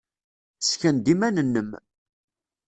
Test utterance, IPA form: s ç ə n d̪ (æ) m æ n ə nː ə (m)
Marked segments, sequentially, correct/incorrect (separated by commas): incorrect, correct